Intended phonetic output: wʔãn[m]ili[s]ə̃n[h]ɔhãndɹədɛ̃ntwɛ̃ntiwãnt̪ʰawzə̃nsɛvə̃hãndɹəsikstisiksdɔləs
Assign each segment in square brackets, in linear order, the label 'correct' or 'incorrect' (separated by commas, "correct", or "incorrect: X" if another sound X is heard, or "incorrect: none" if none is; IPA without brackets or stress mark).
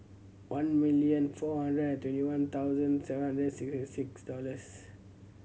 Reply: correct, incorrect: none, incorrect: f